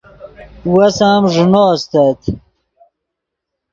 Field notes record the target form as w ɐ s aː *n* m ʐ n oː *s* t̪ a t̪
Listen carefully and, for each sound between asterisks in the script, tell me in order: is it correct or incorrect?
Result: incorrect, correct

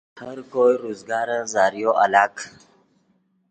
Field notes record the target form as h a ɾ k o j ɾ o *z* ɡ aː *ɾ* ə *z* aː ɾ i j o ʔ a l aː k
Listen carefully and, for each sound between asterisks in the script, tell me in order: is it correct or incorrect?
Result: correct, correct, correct

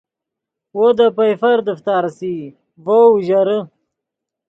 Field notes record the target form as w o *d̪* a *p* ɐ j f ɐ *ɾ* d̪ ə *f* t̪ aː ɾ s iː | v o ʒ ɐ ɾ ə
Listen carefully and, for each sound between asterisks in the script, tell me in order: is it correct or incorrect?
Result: correct, correct, correct, correct

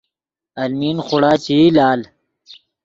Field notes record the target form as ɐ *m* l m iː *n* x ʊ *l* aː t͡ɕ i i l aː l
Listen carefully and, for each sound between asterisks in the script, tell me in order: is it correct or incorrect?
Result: incorrect, correct, incorrect

